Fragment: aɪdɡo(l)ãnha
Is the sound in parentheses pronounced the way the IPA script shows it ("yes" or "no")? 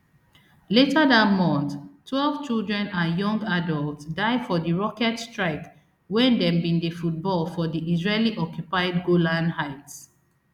yes